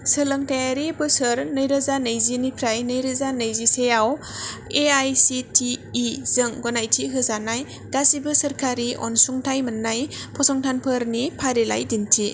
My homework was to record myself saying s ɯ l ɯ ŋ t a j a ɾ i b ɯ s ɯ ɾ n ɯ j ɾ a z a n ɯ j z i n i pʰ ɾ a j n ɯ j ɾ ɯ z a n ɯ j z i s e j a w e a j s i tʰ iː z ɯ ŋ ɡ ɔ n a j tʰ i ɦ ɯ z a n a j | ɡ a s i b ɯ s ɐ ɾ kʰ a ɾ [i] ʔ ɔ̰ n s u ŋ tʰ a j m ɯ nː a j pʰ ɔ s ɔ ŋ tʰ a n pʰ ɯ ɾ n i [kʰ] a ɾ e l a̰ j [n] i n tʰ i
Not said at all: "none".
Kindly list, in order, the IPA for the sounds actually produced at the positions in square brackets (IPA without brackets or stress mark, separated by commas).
i, pʰ, d